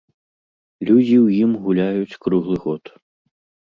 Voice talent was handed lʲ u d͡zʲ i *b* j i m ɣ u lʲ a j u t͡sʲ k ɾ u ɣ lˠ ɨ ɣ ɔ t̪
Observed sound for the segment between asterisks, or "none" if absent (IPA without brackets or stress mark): w